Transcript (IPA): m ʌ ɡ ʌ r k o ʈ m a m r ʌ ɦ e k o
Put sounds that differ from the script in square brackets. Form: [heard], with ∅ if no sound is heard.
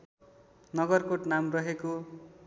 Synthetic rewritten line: [n] ʌ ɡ ʌ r k o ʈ [n] a m r ʌ ɦ e k o